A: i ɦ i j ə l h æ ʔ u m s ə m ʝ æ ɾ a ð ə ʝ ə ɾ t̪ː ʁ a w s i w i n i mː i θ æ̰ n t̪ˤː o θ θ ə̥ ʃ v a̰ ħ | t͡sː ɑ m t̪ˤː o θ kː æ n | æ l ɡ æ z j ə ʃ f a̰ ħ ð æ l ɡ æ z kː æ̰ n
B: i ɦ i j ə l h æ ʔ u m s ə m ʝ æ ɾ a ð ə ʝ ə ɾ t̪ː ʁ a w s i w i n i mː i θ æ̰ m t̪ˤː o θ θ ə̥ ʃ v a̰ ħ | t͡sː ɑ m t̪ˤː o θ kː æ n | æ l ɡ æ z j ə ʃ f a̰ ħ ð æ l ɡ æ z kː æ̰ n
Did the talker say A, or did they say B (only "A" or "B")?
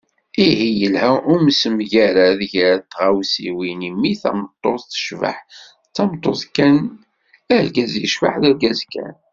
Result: B